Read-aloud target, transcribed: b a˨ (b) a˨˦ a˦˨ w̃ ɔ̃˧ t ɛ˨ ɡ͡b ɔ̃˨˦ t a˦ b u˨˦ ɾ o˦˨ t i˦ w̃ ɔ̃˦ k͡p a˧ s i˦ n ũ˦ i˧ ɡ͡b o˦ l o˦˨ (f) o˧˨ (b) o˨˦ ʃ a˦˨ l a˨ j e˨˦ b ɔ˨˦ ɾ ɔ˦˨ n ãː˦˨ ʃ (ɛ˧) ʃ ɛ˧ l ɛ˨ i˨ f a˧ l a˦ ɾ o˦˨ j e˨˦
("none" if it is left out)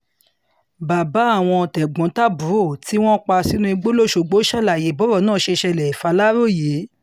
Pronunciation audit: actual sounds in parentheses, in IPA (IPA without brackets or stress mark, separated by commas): b, ʃ, ɡ͡b, e˧